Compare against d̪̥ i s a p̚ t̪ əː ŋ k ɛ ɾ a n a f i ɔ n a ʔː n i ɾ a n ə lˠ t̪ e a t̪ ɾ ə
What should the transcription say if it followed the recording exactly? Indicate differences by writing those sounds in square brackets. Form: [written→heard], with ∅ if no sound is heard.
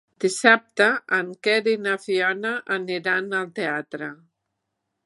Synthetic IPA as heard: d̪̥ i s a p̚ t̪ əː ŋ k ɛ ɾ [a→i] n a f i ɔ n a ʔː n i ɾ a n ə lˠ t̪ e a t̪ ɾ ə